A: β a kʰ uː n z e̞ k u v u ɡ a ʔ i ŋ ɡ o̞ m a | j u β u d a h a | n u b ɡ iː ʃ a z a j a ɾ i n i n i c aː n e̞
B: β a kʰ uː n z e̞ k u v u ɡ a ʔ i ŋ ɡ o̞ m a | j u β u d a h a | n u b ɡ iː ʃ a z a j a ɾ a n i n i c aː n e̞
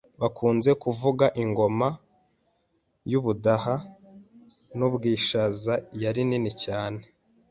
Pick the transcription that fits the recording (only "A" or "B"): A